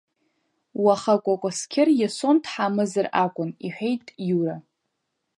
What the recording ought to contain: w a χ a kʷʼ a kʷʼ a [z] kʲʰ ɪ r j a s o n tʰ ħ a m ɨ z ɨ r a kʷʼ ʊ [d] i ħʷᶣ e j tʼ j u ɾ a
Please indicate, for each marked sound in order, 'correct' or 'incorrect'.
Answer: incorrect, incorrect

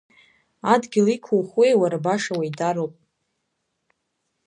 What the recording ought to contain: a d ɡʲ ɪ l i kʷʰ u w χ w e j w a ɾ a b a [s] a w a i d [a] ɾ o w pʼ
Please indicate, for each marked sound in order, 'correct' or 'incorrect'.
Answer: incorrect, correct

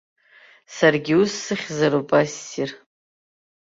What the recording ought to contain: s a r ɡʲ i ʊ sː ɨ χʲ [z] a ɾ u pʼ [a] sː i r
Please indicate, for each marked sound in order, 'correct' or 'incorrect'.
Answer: correct, correct

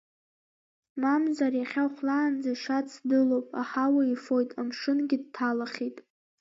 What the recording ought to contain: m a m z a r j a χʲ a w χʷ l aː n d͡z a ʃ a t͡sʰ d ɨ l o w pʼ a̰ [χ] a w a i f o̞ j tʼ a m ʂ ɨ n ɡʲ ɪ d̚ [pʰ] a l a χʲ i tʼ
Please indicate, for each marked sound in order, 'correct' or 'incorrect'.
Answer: incorrect, incorrect

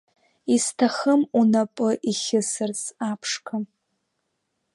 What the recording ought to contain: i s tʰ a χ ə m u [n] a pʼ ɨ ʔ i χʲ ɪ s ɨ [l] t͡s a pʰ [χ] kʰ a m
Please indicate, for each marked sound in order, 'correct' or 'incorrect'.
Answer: correct, incorrect, incorrect

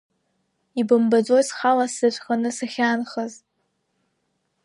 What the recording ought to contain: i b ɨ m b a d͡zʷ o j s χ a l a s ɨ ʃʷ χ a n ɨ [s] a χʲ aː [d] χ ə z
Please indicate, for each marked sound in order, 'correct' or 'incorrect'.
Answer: correct, incorrect

